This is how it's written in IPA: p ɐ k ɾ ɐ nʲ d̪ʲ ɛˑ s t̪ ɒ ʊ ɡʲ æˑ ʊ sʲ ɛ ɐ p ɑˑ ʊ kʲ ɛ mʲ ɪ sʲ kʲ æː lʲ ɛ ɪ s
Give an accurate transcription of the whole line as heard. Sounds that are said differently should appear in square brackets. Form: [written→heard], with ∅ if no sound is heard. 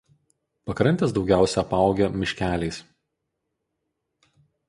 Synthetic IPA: p ɐ k ɾ ɐ nʲ [d̪ʲ→t̪ʲ] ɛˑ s [t̪→d̪] ɒ ʊ ɡʲ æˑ ʊ sʲ ɛ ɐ p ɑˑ ʊ [kʲ→ɡʲ] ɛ mʲ ɪ [sʲ→ʃʲ] kʲ æː lʲ ɛ ɪ s